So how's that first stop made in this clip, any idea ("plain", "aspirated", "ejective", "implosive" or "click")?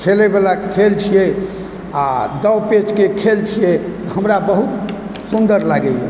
aspirated